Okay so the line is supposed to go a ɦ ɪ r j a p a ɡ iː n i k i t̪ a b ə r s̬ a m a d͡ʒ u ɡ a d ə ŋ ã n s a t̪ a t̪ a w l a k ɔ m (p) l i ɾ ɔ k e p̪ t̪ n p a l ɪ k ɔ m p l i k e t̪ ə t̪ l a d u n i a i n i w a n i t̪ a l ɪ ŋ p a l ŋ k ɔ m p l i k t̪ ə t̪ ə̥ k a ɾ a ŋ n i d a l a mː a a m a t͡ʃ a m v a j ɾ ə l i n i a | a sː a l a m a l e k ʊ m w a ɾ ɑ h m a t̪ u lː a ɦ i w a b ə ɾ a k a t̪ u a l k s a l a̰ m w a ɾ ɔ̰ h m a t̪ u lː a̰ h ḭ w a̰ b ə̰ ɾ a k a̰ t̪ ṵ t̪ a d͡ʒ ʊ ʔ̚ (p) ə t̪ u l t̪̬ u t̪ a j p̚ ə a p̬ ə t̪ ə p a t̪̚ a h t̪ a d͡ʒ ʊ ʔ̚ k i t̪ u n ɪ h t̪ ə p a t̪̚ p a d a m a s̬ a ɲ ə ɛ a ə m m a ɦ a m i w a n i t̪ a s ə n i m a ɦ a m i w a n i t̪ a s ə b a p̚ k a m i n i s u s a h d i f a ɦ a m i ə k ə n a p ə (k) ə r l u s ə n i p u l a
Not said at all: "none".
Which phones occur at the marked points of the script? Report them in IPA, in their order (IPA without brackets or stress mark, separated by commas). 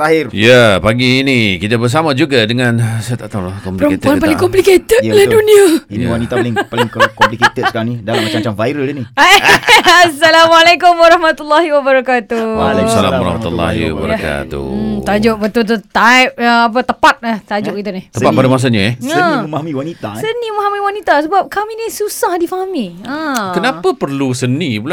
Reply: p, b, p